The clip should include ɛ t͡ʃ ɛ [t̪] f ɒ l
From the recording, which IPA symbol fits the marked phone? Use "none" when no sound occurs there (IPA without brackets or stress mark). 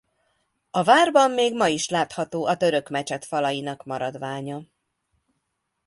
t̪